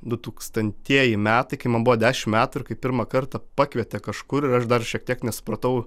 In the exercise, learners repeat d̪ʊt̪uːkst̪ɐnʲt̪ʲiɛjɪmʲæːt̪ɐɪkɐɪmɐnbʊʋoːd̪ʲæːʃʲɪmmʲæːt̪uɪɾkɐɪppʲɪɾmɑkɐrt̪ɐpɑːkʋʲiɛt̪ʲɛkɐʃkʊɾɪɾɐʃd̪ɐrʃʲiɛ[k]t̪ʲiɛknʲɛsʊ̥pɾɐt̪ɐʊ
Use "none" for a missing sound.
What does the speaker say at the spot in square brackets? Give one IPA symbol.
k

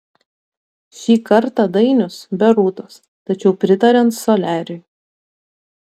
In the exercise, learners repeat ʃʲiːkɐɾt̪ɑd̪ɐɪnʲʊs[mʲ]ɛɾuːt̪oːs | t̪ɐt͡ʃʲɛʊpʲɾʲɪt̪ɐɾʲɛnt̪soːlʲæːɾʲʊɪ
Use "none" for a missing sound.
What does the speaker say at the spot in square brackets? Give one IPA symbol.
bʲ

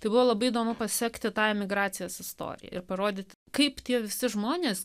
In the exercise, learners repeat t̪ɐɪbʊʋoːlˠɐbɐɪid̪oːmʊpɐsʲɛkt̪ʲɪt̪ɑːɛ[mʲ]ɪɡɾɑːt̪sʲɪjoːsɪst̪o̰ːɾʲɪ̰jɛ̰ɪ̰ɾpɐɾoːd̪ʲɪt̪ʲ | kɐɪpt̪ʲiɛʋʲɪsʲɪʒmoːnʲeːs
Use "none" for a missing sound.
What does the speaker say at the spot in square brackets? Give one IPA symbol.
mʲ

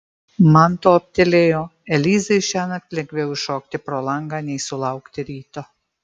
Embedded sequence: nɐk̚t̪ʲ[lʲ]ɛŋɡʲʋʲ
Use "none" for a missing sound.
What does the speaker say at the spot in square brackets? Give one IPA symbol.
lʲ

